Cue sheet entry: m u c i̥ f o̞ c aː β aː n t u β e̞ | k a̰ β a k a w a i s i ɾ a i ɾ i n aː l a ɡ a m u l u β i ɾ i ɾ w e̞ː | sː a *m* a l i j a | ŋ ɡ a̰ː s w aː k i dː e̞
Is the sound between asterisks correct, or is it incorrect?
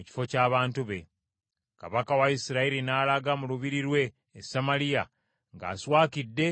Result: correct